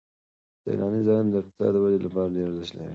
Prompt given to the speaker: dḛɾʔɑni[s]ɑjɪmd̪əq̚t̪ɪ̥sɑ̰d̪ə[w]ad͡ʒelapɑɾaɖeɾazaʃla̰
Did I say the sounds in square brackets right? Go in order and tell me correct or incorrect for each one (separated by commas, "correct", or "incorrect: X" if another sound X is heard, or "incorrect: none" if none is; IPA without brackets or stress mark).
incorrect: z, correct